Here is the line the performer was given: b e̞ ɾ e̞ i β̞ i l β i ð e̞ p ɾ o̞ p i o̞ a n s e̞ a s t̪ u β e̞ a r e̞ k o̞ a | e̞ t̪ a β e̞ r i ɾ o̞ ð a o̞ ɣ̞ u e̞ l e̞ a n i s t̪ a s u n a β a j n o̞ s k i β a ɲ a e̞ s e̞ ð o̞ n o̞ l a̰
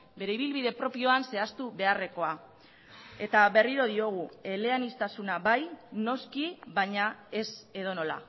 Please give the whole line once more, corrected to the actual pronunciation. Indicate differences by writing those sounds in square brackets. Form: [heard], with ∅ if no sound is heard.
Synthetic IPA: b e̞ ɾ e̞ i β̞ i l β i ð e̞ p ɾ o̞ p i o̞ a n s e̞ a s t̪ u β e̞ a r e̞ k o̞ a | e̞ t̪ a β e̞ r i ɾ o̞ ð [i] o̞ ɣ̞ u e̞ l e̞ a n i s t̪ a s u n a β a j n o̞ s k i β a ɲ a e̞ s e̞ ð o̞ n o̞ l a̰